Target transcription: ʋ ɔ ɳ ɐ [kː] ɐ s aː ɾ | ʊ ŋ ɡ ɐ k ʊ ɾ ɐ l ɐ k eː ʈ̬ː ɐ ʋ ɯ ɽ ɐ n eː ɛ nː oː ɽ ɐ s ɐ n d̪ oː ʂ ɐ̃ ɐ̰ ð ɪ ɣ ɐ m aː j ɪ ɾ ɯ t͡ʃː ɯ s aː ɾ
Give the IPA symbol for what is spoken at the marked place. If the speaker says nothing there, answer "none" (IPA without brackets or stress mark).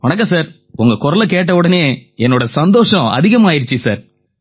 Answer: kː